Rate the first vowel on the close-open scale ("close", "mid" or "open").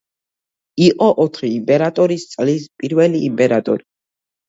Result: close